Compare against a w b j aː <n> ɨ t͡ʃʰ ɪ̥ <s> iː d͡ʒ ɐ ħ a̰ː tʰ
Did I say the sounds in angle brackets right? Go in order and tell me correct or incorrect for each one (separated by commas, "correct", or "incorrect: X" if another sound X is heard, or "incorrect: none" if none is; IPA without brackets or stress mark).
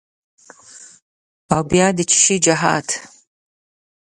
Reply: incorrect: d, incorrect: ʃ